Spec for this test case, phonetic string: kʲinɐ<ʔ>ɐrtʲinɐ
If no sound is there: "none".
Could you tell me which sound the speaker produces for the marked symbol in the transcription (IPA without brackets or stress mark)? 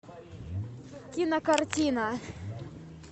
k